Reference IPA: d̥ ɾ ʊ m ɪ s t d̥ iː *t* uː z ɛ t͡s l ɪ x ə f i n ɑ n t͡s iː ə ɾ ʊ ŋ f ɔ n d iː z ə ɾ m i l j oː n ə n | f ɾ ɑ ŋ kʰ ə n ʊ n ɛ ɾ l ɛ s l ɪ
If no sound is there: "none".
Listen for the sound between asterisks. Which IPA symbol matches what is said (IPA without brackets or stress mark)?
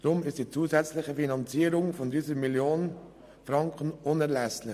t͡s